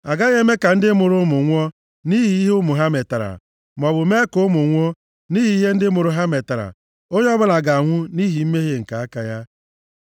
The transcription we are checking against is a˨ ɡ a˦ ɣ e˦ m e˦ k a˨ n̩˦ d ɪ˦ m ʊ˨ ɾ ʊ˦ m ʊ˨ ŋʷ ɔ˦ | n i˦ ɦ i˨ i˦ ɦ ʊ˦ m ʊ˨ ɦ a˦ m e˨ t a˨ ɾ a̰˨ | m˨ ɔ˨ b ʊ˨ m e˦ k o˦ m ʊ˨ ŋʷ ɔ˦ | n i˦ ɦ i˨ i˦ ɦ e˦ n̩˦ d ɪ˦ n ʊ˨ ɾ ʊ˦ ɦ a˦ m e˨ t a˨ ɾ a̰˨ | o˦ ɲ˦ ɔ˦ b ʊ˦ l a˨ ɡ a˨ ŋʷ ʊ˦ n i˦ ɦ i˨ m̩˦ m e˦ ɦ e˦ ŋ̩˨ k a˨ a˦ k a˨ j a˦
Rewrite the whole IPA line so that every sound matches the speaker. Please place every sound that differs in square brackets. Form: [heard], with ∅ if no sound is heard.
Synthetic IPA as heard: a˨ ɡ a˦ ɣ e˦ m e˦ k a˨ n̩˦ d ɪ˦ m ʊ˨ ɾ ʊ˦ m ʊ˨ ŋʷ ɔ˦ | n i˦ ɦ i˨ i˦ ɦ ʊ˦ m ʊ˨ ɦ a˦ m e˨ t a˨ ɾ a̰˨ | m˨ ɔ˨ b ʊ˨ m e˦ k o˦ m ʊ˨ ŋʷ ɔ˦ | n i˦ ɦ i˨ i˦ ɦ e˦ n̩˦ d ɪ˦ [m] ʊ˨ ɾ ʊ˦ ɦ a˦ m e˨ t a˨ ɾ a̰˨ | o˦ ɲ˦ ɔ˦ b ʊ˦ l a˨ ɡ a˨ ŋʷ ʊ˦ n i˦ ɦ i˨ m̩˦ m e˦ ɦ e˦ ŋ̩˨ k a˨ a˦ k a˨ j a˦